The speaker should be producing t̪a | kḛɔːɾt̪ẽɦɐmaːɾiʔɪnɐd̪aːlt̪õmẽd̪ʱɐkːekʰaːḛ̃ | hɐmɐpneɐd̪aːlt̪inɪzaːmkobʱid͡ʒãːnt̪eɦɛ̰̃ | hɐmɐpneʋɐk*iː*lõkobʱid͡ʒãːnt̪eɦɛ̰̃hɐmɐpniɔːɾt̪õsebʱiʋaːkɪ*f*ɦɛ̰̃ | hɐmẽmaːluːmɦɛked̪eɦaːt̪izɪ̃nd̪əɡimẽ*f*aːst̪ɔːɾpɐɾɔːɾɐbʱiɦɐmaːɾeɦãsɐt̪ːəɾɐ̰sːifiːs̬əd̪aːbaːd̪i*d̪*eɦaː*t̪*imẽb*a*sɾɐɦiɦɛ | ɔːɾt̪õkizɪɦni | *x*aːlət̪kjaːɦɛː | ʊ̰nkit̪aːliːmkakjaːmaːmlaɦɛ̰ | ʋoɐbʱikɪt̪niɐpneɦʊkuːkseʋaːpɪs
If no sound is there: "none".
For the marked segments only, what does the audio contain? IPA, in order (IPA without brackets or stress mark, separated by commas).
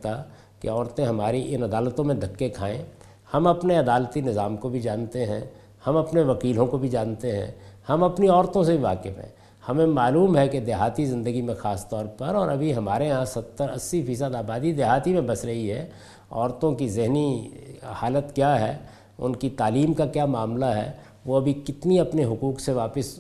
iː, f, x, d̪, t̪, ɐ, h